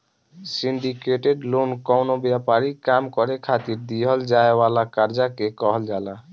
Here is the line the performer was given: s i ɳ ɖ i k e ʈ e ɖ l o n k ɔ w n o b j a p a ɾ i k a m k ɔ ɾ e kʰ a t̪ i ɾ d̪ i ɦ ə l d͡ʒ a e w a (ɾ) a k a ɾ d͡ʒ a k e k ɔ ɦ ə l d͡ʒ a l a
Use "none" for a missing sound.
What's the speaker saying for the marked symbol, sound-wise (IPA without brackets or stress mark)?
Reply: l